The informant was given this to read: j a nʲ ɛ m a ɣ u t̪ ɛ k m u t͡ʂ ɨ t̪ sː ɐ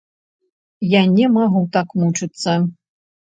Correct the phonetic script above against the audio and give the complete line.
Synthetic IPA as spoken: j a nʲ ɛ m a ɣ u t̪ a k m u t͡ʂ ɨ t̪ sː ɐ

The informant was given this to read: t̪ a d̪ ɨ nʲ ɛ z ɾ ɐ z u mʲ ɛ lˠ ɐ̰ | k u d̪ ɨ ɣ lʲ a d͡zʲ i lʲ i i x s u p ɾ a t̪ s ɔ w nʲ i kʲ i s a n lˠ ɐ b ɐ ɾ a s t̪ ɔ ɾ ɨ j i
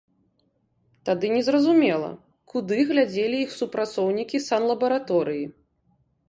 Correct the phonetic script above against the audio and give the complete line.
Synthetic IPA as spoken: t̪ a d̪ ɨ nʲ ɛ z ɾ ɐ z u mʲ ɛ lˠ ɐ̰ | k u d̪ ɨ ɣ lʲ a d͡zʲ e lʲ i i x s u p ɾ a t̪ s ɔ w nʲ i kʲ i s a n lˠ ɐ b ɐ ɾ a t̪ ɔ ɾ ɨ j i

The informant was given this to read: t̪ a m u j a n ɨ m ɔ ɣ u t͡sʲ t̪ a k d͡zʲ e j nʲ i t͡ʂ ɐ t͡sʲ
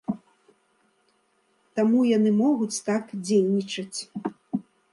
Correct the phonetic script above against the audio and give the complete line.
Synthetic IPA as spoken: t̪ a m u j a n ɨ m ɔ ɣ u t͡sʲ t̪ a k d͡zʲ e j nʲ i t͡ʂ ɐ t͡sʲ

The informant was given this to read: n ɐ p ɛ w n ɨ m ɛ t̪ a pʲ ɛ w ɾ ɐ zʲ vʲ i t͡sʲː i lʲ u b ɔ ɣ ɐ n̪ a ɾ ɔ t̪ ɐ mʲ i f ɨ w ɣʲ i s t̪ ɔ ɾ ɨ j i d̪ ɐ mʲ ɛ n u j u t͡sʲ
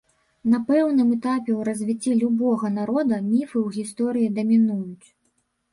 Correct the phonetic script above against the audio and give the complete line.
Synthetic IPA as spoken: n ɐ p ɛ w n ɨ m ɛ t̪ a pʲ ɛ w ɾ ɐ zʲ vʲ i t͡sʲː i lʲ u b ɔ ɣ ɐ n̪ a ɾ ɔ d̪ ɐ mʲ i f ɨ w ɣʲ i s t̪ ɔ ɾ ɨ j i d̪ ɐ mʲ i n u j u t͡sʲ

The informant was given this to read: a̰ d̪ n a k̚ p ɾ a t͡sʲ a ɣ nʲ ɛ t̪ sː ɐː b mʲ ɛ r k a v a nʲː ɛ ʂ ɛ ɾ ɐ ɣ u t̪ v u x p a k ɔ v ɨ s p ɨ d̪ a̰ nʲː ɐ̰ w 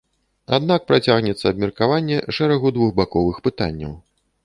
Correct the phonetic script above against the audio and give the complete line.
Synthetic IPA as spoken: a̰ d̪ n a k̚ p ɾ a t͡sʲ a ɣ nʲ ɛ t̪ sː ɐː b mʲ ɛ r k a v a nʲː ɛ ʂ ɛ ɾ ɐ ɣ u d̪ v u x b a k ɔ v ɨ x p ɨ t̪ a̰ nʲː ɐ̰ w

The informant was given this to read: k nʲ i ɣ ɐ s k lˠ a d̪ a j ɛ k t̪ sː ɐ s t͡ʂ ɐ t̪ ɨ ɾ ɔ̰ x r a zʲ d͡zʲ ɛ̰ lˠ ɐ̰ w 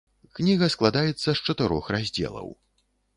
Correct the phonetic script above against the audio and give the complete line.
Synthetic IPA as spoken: k nʲ i ɣ ɐ s k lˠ a d̪ a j ɛ t̪ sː ɐ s t͡ʂ ɐ t̪ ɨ ɾ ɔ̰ x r a zʲ d͡zʲ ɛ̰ lˠ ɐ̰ w

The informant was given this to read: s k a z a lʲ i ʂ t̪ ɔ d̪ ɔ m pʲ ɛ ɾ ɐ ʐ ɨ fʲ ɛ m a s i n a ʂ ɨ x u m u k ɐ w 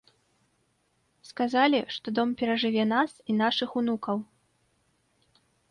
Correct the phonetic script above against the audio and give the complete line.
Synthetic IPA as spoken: s k a z a lʲ i ʂ t̪ ɔ d̪ ɔ m pʲ ɛ ɾ ɐ ʐ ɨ vʲ ɛ n a s i n a ʂ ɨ x u n u k ɐ w

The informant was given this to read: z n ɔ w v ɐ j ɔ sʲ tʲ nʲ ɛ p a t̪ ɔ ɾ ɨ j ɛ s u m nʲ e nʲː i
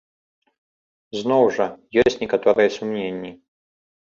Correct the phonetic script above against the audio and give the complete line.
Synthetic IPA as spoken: z n ɔ w ʐ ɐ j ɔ sʲ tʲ nʲ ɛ k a t̪ ɔ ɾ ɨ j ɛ s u m nʲ e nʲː i

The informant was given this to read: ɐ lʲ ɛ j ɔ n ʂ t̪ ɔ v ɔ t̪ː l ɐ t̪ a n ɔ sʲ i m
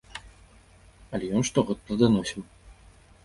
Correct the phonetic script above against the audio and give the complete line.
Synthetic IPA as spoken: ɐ lʲ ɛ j ɔ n ʂ t̪ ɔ ɣ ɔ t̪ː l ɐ d̪ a n ɔ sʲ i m

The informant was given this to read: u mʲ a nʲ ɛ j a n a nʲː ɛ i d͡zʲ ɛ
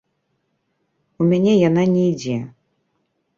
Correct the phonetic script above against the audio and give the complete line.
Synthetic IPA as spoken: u mʲ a nʲ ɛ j a n a nʲ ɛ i d͡zʲ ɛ

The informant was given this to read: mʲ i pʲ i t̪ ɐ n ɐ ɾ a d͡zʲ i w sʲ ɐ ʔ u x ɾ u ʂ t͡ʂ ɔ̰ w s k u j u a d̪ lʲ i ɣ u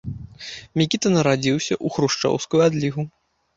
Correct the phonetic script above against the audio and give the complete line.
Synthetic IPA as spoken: mʲ i kʲ i t̪ ɐ n ɐ ɾ a d͡zʲ i w sʲ ɐ ʔ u x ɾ u ʂ t͡ʂ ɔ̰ w s k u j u a d̪ lʲ i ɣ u

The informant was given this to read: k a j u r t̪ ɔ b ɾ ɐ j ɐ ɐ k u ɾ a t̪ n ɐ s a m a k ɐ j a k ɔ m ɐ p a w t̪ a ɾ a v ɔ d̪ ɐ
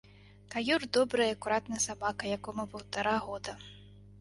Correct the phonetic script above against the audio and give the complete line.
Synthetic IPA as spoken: k a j u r d̪ ɔ b ɾ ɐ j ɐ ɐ k u ɾ a t̪ n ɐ s a b a k ɐ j a k ɔ m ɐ p ɐ w t̪ a ɾ a ɣ ɔ d̪ ɐ

